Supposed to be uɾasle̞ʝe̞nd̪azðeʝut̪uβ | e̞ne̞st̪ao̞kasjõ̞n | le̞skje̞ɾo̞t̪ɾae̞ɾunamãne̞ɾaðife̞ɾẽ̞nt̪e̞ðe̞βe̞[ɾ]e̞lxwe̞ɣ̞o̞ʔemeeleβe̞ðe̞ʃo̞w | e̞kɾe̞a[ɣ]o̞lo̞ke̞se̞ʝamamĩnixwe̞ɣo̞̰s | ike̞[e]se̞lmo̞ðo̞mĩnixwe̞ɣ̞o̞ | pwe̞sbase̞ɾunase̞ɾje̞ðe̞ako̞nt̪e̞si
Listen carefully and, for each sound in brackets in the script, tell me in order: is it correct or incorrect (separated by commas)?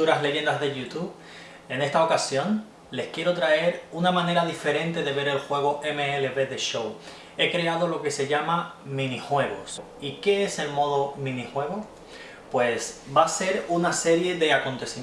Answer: correct, incorrect, correct